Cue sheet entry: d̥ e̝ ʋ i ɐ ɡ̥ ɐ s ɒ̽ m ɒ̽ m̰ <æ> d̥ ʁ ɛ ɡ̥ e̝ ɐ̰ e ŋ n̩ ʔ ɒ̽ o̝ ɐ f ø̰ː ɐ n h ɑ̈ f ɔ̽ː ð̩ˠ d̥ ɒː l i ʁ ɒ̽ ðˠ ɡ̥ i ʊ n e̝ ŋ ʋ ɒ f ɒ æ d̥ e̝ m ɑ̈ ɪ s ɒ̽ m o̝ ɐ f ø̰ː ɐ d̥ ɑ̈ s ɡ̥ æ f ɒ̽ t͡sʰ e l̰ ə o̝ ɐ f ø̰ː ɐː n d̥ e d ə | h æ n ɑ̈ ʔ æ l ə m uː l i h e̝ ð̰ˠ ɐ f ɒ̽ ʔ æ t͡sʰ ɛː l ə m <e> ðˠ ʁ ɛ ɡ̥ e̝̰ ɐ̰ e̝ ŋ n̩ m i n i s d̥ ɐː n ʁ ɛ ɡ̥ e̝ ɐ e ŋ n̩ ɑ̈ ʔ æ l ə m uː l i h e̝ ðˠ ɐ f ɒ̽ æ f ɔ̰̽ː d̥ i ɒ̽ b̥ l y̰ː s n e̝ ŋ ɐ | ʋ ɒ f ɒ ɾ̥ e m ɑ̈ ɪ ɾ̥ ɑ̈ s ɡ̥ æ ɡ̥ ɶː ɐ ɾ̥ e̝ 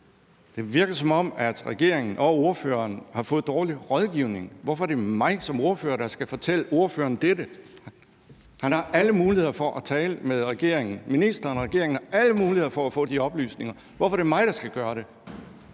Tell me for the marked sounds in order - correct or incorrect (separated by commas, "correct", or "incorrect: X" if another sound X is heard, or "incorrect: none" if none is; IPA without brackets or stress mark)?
correct, correct